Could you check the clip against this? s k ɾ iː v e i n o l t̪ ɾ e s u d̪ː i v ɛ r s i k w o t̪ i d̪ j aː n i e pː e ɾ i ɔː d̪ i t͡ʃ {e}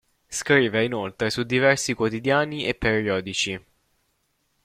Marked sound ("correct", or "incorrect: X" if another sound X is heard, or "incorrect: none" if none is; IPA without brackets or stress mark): incorrect: i